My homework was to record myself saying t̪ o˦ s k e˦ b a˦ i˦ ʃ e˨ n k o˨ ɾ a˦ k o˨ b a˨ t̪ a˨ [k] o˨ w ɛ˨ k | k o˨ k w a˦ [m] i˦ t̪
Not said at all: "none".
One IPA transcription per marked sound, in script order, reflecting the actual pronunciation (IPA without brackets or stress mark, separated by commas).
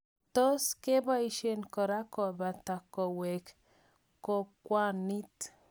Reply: k, n